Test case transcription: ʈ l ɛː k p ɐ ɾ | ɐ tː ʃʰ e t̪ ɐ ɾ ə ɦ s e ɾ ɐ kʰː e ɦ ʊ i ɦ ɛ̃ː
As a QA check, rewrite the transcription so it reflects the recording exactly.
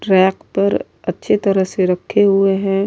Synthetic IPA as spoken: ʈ ɾ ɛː k p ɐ ɾ | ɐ tː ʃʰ e t̪ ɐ ɾ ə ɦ s e ɾ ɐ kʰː e ɦ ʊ e ɦ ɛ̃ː